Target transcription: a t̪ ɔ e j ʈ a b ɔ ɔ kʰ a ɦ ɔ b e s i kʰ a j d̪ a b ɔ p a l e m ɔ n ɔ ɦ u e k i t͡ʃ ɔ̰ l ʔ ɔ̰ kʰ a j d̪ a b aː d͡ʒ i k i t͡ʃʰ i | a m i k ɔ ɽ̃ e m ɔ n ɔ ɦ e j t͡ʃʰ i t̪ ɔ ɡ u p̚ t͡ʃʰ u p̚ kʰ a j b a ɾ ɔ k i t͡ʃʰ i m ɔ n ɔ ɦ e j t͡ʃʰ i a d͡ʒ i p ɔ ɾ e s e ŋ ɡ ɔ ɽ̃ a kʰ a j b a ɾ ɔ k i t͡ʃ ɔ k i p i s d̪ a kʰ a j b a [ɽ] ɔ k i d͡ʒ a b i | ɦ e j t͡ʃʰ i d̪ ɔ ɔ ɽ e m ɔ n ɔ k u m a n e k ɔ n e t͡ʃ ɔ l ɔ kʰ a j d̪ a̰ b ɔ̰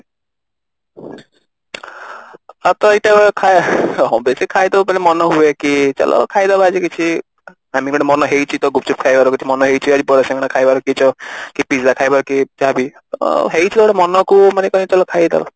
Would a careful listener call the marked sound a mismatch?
yes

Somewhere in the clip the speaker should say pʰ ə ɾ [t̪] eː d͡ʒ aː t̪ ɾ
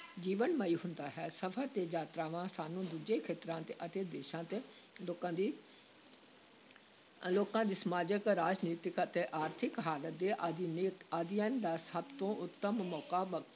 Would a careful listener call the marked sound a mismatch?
no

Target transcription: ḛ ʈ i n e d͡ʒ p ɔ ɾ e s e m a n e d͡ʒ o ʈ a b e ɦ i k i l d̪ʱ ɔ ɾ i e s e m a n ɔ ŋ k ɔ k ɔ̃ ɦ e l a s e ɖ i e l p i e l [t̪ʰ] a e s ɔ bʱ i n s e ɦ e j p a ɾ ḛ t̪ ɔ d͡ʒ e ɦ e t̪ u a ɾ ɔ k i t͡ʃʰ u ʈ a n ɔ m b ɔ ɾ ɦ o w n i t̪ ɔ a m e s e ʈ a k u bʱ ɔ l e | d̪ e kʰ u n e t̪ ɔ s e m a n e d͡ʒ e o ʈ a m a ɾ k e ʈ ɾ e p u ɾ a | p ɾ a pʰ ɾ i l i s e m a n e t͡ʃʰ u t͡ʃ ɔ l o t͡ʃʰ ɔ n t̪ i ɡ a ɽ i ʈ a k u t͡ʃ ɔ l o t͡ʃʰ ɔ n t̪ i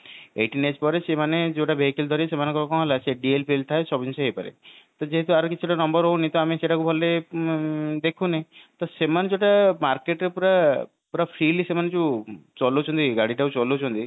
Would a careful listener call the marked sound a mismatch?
no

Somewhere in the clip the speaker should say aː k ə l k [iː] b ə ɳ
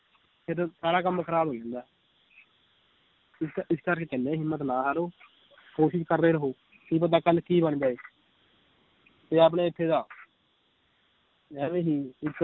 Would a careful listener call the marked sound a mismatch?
no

